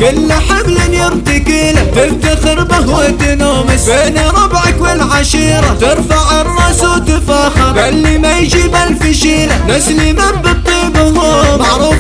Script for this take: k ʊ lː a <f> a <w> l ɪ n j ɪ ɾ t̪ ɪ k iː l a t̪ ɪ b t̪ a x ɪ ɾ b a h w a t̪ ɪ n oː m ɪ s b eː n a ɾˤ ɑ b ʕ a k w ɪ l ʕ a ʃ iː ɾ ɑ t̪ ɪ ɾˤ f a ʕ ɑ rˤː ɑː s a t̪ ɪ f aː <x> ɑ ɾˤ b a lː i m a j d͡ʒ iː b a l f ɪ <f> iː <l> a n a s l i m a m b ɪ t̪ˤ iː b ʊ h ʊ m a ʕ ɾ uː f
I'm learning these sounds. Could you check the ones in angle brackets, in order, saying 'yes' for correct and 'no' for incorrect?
no, no, yes, no, yes

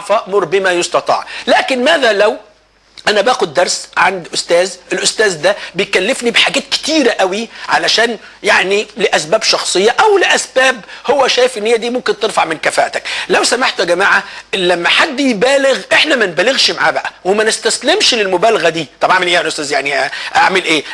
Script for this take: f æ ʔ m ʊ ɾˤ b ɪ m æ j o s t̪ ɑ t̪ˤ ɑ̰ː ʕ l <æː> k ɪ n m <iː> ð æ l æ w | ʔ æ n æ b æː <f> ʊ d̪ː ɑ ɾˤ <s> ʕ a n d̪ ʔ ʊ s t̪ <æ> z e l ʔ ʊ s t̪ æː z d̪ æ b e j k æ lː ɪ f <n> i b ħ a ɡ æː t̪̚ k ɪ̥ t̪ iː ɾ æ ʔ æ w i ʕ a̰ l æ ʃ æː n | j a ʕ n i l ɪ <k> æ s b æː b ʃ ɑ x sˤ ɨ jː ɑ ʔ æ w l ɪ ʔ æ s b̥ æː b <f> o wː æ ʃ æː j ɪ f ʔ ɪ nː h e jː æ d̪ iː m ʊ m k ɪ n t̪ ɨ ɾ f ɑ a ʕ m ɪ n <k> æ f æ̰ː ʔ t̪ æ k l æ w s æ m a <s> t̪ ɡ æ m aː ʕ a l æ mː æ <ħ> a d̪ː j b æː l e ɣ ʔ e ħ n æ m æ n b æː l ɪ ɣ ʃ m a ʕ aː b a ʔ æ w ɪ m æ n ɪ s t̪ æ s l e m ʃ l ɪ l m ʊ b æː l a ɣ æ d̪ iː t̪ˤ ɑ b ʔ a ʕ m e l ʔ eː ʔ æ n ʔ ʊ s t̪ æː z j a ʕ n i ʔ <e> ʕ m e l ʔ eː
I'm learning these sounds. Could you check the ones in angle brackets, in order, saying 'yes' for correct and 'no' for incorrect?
yes, no, no, yes, no, yes, no, no, yes, no, yes, no

